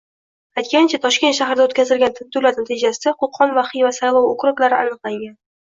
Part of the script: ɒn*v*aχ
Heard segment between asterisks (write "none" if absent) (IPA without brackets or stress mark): v